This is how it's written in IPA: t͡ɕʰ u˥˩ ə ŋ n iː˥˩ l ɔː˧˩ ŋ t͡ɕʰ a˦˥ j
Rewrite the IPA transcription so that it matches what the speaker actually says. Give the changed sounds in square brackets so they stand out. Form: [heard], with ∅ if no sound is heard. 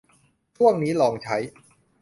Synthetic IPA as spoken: t͡ɕʰ u˥˩ ə ŋ n [iː˦˥] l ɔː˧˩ ŋ t͡ɕʰ a˦˥ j